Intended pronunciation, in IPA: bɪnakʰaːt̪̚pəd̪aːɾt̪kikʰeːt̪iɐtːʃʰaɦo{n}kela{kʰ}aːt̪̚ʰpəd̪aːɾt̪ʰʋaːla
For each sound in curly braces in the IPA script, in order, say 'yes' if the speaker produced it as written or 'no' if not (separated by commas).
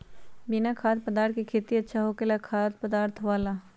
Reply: no, yes